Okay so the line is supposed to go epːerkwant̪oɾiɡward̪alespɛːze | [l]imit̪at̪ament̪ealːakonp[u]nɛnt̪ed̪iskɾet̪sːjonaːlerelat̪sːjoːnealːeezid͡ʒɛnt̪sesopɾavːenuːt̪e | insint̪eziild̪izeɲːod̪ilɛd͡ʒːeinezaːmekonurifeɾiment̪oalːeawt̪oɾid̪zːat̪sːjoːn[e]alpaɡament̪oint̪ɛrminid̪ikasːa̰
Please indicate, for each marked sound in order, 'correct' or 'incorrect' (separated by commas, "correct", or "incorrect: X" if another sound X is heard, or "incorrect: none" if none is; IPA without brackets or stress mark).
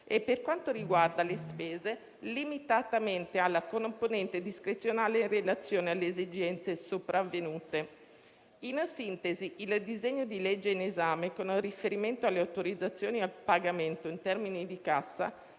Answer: correct, incorrect: o, incorrect: i